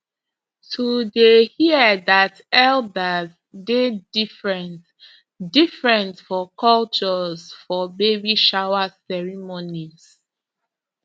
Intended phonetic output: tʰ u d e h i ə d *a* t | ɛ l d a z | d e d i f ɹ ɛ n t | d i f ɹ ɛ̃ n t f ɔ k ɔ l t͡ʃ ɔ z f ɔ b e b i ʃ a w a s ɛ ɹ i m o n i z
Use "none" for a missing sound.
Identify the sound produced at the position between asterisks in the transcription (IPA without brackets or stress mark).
a